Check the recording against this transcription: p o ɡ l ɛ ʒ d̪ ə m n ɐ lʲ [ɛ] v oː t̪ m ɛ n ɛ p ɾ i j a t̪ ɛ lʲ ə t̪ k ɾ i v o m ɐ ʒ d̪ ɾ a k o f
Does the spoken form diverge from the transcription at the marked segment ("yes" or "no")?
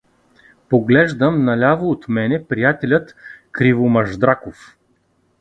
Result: yes